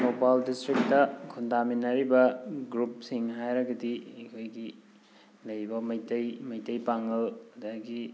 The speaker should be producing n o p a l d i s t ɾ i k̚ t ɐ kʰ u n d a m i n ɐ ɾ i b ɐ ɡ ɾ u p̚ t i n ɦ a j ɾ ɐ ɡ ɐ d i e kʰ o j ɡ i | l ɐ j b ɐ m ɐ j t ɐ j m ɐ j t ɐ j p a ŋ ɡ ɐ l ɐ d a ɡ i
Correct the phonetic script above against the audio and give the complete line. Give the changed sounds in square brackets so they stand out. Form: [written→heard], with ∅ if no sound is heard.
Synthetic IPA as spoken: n o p a l d i s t ɾ i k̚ t ɐ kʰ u n d a m i n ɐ ɾ i b ɐ ɡ ɾ u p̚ [t→s] i [n→ŋ] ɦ a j ɾ ɐ ɡ ɐ d i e kʰ o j ɡ i | l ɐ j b ɐ m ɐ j t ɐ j m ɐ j t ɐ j p a ŋ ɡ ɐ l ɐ d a ɡ i